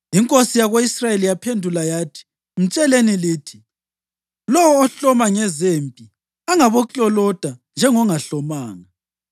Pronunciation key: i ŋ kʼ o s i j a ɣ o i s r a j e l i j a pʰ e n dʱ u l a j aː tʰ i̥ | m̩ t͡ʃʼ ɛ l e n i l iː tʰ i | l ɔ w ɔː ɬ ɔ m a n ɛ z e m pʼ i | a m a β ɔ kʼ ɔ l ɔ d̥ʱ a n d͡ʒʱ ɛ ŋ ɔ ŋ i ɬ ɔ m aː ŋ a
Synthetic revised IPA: i ŋ kʼ o s i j a ɣ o i s r a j e l i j a pʰ e n dʱ u l a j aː tʰ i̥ | m̩ t͡ʃʼ ɛ l e n i l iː tʰ i | l ɔ w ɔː ɬ ɔ m a ŋ ɛ z e m pʼ i | a ŋ a β ɔ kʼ ɔ l ɔ d̥ʱ a n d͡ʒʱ ɛ ŋ ɔ ŋ a ɬ ɔ m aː ŋ a